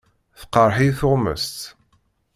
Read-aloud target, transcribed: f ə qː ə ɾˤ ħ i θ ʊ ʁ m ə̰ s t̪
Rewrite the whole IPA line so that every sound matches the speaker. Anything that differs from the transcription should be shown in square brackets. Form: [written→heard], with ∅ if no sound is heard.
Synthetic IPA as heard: [f→θ] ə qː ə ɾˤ ħ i θ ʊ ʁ m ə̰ s t̪